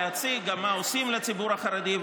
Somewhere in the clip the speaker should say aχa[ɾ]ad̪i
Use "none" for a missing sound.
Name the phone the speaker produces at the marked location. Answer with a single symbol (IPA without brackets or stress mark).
ɾ